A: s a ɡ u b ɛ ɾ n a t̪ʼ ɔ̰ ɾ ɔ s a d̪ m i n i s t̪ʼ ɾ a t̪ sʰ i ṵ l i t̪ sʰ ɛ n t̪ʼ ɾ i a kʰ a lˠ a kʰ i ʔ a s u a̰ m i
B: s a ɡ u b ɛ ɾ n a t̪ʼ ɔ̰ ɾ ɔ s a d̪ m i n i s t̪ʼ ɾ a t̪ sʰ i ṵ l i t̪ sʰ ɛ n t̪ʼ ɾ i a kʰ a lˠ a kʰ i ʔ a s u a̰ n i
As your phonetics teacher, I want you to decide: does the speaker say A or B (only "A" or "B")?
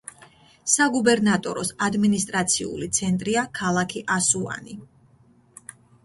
B